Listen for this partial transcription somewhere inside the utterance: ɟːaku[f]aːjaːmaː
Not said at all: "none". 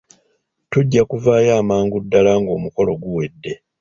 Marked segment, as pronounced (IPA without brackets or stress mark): v